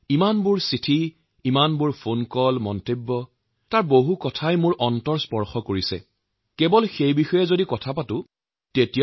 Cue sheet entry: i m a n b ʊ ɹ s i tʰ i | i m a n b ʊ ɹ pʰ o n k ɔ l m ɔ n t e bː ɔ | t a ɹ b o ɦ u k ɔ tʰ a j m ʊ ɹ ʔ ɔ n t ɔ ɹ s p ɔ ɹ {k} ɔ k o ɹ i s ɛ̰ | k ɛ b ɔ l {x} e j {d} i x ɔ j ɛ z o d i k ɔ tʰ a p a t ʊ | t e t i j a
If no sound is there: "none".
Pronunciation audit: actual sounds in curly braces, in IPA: x, x, b

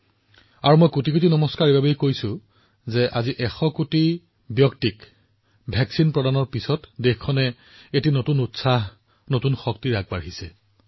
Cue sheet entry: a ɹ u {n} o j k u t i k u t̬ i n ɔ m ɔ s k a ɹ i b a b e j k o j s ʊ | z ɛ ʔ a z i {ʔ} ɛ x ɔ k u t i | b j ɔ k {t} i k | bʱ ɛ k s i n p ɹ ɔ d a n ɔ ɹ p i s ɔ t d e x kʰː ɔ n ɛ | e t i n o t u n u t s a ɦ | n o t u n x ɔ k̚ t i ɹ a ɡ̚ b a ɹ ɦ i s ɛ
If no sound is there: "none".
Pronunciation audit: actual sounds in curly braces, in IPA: m, ʔ, t

